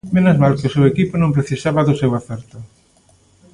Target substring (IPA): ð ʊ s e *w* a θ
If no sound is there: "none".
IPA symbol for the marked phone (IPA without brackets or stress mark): w